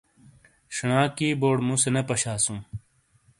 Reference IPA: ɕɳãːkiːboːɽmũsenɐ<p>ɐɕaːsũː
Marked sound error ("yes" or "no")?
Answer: no